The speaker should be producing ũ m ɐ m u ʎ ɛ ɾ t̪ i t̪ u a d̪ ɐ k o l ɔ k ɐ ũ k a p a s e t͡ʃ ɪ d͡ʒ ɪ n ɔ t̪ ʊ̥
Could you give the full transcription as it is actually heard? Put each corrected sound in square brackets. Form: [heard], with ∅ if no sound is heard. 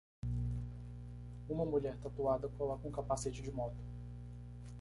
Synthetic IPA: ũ m ɐ m u ʎ ɛ ɾ t̪ [a] t̪ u a d̪ ɐ k o l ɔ k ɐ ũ k a p a s e t͡ʃ ɪ d͡ʒ ɪ [m] ɔ t̪ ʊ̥